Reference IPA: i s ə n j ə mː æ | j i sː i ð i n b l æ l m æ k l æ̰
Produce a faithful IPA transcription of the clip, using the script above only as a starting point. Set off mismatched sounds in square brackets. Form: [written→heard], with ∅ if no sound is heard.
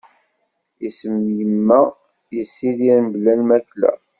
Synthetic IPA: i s ə [n→m] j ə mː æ | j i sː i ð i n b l æ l m æ k l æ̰

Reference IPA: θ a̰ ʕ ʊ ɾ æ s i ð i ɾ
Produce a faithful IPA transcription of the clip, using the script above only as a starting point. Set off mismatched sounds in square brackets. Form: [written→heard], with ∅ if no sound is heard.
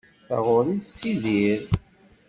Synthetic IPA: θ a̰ [ʕ→ʁ] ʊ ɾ [æ→i] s i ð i ɾ

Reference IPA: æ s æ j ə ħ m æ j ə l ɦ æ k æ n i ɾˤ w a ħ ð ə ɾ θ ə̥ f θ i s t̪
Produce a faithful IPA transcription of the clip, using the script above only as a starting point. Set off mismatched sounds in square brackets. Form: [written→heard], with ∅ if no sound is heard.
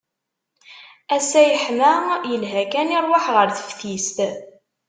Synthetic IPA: æ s æ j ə ħ m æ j ə l ɦ æ k æ n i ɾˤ w a ħ [ð→ʁ] ə ɾ θ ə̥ f θ i s t̪

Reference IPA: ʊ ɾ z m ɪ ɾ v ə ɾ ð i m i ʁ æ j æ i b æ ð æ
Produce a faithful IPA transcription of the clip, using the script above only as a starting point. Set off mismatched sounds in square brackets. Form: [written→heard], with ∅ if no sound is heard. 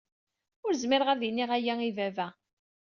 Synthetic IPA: ʊ ɾ z m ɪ ɾ [v→ʁ] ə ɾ ð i [m→n] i ʁ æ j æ i [b→v] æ [ð→v] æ

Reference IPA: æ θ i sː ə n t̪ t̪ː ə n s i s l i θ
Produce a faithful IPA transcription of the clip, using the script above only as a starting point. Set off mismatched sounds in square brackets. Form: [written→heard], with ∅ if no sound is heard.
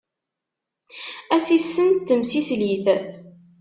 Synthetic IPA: æ [θ→s] i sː ə n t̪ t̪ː ə [n→m] s i s l i θ

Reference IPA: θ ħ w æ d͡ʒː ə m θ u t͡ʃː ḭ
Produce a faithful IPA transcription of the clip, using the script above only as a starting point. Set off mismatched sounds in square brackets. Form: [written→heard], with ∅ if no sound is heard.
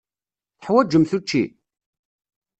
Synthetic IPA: θ ħ w æ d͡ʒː ə m θ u t͡ʃː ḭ

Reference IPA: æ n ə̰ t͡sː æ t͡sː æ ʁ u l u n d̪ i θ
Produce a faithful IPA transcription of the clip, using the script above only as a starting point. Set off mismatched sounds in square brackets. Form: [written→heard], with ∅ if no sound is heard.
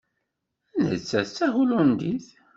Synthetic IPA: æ n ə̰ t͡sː æ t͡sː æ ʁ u l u n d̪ i θ

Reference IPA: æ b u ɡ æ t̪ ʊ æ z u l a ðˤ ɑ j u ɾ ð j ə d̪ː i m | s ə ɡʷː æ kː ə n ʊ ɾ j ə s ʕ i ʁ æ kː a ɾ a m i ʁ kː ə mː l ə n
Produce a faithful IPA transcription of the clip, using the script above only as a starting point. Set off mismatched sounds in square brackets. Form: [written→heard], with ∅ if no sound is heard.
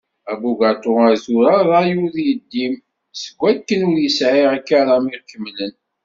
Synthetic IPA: æ b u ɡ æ t̪ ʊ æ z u [l→ɾ] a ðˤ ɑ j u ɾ ð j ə d̪ː i m | s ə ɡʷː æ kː ə n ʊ ɾ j ə s ʕ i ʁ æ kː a ɾ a m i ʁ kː ə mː l ə n

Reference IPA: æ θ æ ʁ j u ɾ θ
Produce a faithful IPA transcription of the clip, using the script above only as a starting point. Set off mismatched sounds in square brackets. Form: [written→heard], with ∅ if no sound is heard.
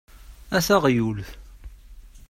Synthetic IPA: æ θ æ ʁ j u [ɾ→l] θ

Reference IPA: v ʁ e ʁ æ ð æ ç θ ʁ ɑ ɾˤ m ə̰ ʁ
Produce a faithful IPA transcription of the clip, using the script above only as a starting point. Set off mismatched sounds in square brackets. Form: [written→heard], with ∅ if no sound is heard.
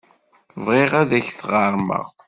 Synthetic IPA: v ʁ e ʁ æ ð æ ç θ ʁ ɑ ɾˤ m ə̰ ʁ

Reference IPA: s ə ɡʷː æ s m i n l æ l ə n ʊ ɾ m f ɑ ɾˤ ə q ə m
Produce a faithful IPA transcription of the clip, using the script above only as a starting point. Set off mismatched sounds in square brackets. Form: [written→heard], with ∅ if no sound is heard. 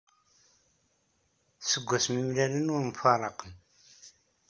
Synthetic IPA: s ə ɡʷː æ s m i [n→m] l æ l ə n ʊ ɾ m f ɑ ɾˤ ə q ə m

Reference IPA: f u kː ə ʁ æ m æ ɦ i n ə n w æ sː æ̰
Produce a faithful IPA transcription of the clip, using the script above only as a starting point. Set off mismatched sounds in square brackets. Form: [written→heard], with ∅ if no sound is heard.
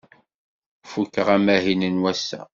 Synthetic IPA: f u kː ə ʁ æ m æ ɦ i n ə n w æ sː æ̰

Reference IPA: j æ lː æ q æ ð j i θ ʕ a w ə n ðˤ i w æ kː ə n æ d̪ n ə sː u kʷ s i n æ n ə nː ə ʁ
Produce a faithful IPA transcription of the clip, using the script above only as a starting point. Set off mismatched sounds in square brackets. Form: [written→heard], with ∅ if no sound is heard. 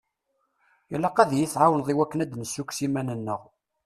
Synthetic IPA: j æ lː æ q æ ð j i θ ʕ a w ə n ðˤ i w æ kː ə n æ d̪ n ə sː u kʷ s i [n→m] æ n ə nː ə ʁ

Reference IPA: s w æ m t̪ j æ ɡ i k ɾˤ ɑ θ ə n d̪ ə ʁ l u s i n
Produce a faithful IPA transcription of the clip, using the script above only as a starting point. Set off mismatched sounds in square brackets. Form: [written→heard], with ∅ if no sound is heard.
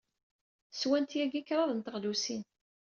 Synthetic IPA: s w æ [m→n] t̪ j æ ɡ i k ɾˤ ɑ [θ→ð] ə n [d̪→t̪] ə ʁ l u s i n

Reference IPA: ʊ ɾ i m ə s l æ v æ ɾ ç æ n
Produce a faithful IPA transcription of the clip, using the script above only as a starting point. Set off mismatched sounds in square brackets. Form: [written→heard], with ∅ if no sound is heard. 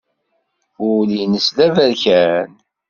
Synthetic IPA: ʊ [ɾ→l] i [m→n] ə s l æ v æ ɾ ç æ n

